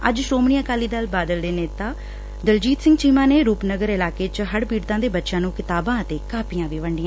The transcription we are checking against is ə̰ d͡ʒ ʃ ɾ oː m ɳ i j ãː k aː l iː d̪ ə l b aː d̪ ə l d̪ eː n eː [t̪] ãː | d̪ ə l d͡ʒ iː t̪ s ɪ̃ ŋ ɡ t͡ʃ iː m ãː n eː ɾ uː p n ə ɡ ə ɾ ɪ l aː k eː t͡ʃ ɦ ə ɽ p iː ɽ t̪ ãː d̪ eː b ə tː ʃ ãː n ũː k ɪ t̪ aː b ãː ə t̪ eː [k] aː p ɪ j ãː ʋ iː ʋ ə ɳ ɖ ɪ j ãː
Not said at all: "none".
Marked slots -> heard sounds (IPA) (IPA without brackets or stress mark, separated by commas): t̪, k